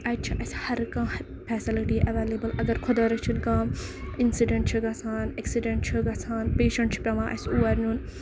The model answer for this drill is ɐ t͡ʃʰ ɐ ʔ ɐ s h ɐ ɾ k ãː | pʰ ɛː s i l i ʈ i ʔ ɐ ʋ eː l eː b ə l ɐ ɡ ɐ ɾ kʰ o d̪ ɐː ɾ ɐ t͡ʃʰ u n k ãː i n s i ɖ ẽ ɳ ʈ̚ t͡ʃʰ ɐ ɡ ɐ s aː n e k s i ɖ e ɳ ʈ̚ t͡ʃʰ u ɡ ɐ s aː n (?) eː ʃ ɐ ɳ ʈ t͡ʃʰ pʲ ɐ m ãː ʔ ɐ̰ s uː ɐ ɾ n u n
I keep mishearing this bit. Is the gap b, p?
p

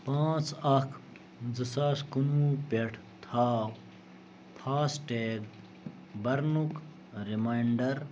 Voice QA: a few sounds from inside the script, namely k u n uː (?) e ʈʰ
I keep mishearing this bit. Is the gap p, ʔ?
p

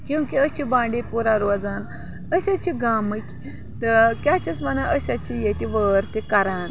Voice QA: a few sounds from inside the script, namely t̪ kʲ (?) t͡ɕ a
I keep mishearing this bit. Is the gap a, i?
a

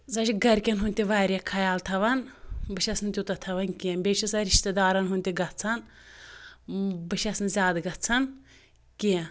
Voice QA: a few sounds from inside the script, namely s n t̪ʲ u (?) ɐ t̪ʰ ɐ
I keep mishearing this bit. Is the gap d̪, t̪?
t̪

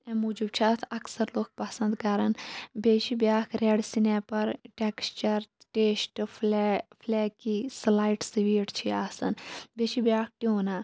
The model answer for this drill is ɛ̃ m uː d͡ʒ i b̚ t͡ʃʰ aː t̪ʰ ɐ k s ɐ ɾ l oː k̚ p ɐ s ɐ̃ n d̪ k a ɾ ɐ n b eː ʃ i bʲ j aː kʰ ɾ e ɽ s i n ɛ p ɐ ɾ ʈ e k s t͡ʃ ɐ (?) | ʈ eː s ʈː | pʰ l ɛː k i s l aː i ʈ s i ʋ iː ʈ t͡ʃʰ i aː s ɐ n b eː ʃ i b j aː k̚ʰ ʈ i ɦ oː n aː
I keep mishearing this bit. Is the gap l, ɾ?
ɾ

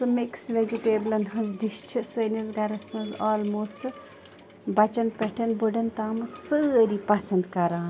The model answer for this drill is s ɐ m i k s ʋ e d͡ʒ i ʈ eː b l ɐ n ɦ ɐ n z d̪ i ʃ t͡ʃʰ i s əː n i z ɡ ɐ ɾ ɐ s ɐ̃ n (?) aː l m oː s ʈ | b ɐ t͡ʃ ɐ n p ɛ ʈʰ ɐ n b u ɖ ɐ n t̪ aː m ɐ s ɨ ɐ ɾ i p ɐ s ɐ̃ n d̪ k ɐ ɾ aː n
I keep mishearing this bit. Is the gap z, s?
z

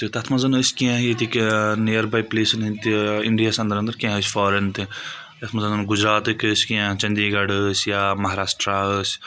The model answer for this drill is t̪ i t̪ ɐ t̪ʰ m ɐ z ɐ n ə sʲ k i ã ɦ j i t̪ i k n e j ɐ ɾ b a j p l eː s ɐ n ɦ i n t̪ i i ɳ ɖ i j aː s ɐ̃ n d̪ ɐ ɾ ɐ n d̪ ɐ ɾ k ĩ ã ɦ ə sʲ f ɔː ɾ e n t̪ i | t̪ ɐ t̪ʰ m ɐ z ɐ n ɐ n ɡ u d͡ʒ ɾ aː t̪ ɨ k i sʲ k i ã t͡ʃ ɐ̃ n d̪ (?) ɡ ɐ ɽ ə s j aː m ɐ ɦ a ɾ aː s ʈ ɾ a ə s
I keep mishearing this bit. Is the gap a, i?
i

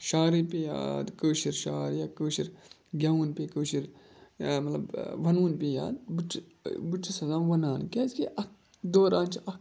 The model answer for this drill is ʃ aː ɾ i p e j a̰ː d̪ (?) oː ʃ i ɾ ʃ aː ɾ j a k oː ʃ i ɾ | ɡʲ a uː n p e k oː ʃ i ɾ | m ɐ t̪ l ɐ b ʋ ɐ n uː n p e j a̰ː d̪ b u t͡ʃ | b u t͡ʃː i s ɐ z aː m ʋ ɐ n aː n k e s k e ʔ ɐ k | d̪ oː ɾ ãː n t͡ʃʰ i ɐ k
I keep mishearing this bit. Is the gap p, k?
k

